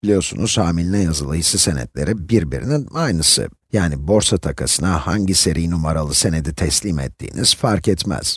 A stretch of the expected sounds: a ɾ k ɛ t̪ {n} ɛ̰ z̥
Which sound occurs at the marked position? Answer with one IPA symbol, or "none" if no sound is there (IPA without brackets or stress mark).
m